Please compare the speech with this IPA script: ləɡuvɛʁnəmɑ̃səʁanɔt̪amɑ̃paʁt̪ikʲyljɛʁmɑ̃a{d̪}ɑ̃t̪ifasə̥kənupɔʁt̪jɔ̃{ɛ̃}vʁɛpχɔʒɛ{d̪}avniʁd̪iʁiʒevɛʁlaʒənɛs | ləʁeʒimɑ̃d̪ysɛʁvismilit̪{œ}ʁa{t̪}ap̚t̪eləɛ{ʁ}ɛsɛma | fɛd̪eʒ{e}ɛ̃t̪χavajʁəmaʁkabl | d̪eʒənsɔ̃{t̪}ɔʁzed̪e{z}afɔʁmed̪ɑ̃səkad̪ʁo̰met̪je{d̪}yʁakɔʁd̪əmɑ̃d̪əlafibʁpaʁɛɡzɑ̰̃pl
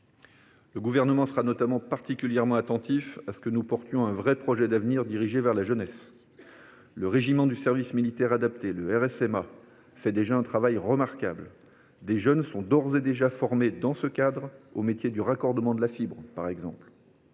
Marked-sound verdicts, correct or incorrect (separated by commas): incorrect, correct, correct, incorrect, incorrect, correct, incorrect, incorrect, incorrect, correct